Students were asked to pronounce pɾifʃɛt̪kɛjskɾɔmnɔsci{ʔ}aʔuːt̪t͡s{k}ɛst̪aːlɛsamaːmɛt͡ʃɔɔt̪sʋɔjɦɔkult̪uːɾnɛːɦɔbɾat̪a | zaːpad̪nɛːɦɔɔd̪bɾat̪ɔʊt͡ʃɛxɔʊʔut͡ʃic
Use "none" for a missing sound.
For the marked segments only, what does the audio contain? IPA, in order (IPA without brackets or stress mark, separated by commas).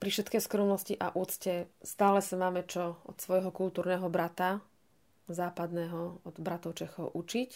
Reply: ʔ, c